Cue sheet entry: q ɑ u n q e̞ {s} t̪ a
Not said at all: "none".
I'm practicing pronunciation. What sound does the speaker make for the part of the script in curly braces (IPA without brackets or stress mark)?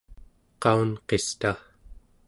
s